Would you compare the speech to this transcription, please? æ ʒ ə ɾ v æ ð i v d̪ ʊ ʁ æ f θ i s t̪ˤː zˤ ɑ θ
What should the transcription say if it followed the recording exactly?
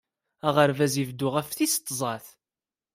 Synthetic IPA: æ ʁ ə ɾ v æ z i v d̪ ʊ ʁ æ f θ i s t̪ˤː zˤ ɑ θ